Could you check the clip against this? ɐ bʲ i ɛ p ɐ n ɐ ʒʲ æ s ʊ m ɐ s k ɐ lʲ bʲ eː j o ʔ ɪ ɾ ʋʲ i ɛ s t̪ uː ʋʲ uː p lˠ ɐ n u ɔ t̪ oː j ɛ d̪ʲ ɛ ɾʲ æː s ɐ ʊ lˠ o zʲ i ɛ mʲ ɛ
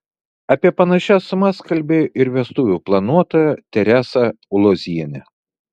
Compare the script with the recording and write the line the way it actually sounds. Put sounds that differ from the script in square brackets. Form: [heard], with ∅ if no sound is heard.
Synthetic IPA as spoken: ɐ [pʲ] i ɛ p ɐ n ɐ [ʃʲ] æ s ʊ m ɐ s k ɐ lʲ bʲ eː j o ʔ ɪ ɾ ʋʲ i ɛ s t̪ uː ʋʲ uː p lˠ ɐ n u ɔ t̪ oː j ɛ [t̪ʲ] ɛ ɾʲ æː s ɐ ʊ lˠ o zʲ i ɛ [nʲ] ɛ